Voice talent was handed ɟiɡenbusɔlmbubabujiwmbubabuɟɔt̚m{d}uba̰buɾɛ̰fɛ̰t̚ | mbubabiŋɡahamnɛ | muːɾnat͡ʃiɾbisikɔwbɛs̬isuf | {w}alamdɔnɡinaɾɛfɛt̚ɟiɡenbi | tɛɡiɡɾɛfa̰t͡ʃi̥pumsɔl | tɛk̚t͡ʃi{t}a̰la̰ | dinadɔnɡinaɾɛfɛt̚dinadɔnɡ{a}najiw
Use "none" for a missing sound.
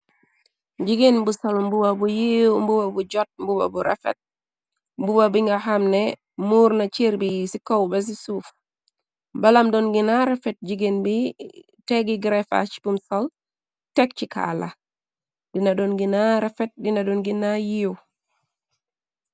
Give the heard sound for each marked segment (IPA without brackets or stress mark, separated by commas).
b, b, k, i